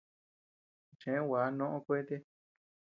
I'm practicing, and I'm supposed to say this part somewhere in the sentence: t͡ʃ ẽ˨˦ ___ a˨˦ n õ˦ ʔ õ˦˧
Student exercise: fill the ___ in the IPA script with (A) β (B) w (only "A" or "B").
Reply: B